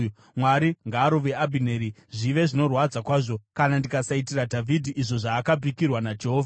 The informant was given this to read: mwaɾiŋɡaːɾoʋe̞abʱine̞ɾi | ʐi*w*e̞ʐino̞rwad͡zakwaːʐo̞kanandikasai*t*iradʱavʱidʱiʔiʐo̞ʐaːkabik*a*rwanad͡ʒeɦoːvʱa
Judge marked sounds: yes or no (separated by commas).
no, yes, no